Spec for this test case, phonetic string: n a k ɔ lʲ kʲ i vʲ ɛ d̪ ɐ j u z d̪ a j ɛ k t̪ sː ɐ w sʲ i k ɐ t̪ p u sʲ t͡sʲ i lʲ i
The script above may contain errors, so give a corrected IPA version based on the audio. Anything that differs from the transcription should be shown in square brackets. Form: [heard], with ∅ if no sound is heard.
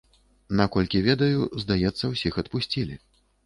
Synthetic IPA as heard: n a k ɔ lʲ kʲ i vʲ ɛ d̪ ɐ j u z d̪ a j ɛ [∅] t̪ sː ɐ w sʲ i [x] ɐ t̪ p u sʲ t͡sʲ i lʲ i